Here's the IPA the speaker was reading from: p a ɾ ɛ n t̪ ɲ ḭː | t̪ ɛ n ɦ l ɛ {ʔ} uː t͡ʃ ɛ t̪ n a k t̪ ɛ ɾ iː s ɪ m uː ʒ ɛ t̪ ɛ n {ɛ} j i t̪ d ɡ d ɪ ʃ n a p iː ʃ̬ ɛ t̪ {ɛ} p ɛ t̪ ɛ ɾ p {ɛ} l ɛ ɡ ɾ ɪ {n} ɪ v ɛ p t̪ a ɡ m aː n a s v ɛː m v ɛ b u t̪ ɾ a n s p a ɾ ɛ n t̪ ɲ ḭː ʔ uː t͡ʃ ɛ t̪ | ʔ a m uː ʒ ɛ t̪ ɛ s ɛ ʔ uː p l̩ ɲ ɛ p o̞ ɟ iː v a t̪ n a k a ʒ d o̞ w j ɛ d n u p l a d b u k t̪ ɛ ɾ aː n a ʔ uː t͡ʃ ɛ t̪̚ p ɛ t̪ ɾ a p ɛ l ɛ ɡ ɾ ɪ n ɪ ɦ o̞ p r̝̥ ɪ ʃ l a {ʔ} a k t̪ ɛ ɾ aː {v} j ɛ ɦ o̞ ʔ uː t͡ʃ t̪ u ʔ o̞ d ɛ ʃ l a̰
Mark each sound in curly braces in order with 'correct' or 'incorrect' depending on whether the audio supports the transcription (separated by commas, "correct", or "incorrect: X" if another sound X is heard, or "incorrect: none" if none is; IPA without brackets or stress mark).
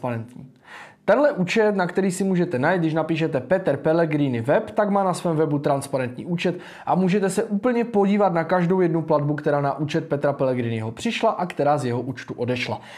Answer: correct, incorrect: a, correct, correct, correct, correct, incorrect: z